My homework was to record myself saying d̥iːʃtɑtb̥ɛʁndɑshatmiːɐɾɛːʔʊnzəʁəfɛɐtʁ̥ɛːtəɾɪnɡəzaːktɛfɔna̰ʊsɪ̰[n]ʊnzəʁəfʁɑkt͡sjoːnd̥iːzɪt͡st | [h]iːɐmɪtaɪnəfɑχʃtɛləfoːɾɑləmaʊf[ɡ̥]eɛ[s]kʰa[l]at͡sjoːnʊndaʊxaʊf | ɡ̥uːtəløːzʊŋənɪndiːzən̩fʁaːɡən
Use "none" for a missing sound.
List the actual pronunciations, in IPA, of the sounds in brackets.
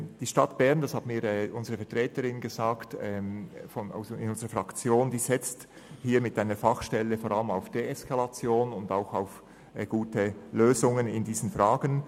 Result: n, h, d̥, s, l

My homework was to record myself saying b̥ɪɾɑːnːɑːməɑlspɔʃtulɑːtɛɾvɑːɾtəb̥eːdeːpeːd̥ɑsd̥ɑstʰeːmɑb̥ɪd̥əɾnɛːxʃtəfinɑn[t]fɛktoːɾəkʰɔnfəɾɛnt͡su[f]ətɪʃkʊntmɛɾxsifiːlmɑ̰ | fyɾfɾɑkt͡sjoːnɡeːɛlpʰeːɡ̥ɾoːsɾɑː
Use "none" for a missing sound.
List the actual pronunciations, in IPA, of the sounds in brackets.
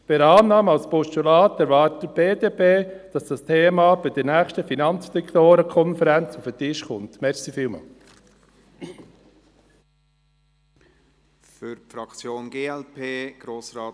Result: t͡s, f

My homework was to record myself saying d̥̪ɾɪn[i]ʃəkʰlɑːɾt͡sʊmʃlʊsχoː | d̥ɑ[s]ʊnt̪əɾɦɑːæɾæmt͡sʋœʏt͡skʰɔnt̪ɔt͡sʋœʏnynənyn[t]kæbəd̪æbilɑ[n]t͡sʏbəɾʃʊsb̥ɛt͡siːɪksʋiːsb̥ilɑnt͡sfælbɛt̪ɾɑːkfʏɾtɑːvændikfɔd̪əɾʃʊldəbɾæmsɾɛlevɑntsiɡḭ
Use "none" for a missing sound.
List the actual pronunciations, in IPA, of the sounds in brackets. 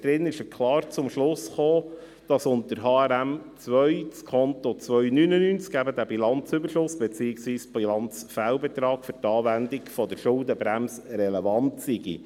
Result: ɪ, s, t͡s, n

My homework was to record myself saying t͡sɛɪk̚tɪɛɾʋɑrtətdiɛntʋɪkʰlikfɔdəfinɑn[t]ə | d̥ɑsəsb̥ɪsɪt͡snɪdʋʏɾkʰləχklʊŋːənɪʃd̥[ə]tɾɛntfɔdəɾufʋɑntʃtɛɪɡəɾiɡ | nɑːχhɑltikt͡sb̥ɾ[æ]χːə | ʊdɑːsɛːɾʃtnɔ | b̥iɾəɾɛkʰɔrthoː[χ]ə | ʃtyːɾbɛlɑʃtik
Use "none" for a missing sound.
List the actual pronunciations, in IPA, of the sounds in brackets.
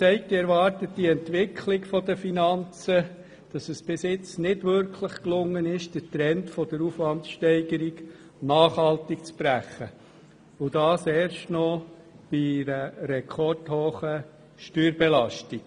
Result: t͡s, ə, æ, χ

